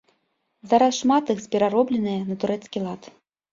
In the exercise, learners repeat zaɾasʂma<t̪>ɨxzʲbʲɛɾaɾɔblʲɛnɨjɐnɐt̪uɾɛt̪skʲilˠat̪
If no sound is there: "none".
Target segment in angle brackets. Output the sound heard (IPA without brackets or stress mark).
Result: t̪